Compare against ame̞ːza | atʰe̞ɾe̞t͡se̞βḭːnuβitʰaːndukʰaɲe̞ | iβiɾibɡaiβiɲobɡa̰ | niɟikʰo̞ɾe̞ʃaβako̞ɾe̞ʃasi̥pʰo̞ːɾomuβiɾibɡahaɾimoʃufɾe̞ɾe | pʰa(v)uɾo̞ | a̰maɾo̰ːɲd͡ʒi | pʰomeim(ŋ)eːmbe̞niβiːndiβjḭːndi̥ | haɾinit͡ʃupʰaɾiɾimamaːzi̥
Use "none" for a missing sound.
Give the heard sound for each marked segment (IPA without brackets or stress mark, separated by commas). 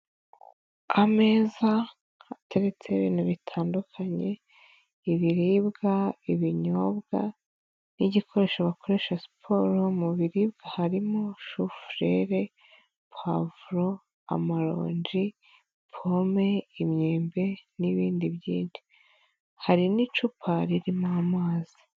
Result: v, ɲ